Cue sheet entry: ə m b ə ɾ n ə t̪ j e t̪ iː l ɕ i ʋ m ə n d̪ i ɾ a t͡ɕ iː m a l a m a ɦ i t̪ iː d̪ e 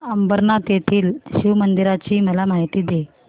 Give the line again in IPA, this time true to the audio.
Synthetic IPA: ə m b ə ɾ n a t̪ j e t̪ʰ iː l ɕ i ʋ m ə n d̪ i ɾ a t͡ɕ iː m ə l a m a ɦ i t̪ iː d̪ e